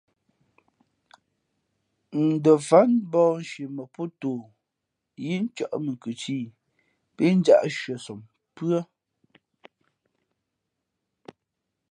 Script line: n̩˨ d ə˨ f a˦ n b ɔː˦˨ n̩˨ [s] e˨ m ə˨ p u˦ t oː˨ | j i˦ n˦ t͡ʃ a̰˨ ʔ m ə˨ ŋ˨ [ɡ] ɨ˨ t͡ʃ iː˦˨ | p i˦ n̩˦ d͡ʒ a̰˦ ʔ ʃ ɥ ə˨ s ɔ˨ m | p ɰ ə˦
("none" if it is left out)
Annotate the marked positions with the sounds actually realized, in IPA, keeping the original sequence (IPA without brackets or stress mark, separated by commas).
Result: ʃ, k